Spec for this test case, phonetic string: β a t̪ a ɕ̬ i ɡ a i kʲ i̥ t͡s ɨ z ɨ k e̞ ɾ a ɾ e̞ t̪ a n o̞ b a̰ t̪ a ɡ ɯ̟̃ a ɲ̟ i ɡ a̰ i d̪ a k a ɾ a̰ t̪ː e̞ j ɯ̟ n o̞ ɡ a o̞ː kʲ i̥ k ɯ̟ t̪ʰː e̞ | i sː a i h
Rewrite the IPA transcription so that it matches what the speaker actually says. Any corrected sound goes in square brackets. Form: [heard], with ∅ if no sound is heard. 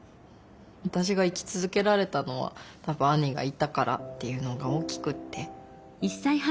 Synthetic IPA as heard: β a t̪ a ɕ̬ i ɡ a i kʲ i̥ t͡s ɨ z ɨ k e̞ ɾ a ɾ e̞ t̪ a n o̞ [β] a̰ t̪ a [b] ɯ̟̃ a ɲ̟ i ɡ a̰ i [t̪] a k a ɾ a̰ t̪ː e̞ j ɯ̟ n o̞ ɡ a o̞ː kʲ i̥ k ɯ̟ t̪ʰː e̞ | i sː a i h